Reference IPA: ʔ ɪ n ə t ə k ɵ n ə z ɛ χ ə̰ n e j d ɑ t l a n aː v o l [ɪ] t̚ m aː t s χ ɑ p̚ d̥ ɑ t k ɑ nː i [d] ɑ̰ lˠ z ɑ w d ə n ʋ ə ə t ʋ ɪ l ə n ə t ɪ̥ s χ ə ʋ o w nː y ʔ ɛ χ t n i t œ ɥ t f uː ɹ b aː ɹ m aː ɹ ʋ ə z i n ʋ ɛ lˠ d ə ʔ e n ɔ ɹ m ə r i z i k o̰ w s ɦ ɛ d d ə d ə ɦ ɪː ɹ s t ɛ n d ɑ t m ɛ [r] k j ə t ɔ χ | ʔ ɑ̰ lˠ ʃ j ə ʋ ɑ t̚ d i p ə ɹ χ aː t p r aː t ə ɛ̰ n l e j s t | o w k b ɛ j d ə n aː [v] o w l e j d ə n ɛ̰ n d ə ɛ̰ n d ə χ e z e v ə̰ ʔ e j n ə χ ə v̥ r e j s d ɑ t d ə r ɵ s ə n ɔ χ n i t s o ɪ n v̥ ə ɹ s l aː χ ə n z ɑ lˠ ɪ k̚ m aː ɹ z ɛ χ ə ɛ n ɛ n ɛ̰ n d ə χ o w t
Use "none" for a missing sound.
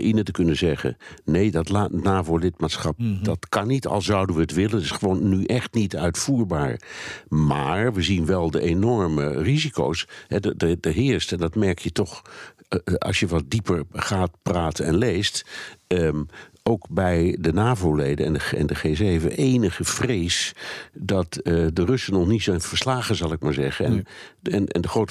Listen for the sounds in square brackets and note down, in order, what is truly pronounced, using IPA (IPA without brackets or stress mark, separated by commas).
ɪ, t, ɹ, v